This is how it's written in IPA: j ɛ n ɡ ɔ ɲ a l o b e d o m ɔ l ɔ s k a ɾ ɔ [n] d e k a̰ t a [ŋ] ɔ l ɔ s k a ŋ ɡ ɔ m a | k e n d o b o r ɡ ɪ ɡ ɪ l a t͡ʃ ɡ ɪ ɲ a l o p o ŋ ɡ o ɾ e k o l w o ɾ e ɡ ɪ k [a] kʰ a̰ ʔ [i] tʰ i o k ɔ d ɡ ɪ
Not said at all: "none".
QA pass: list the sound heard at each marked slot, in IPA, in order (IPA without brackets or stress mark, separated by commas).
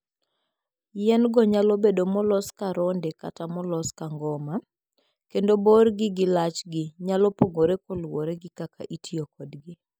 n, m, a, i